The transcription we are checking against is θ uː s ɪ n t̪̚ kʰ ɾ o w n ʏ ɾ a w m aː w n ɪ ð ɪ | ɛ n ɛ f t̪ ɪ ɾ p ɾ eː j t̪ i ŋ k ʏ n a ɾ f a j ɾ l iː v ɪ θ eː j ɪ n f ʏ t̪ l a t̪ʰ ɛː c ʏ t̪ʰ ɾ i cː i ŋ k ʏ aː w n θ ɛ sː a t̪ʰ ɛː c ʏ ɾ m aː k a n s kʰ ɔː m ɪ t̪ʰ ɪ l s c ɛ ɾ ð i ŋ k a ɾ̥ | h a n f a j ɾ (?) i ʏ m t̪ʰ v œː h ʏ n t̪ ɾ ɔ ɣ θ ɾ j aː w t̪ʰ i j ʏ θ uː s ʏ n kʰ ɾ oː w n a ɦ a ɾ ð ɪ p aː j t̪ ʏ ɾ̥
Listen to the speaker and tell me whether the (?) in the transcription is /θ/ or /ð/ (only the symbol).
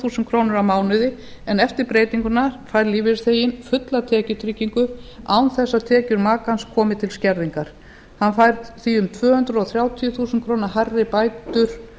θ